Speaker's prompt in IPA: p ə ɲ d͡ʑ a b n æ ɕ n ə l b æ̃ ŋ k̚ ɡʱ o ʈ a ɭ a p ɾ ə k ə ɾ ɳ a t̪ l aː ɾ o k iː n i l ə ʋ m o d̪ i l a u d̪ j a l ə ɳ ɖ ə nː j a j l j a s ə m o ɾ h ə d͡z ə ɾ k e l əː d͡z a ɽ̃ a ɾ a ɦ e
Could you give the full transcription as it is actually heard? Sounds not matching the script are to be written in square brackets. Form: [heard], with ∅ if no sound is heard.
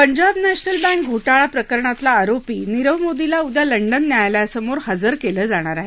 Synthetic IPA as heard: p ə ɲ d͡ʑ a b n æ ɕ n ə l b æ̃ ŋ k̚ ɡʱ o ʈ a ɭ a p ɾ ə k ə ɾ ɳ a t̪ l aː ɾ o [p] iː n i [ɾ] ə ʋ m o d̪ i l a u d̪ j a l ə ɳ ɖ ə nː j a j l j a s ə m o ɾ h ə d͡z ə ɾ k e l əː d͡z a ɽ̃ a ɾ a ɦ e